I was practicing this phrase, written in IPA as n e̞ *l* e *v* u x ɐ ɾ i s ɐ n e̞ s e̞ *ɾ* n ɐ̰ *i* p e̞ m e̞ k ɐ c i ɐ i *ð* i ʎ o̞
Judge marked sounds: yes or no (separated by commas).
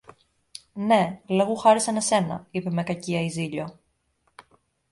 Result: yes, no, no, yes, no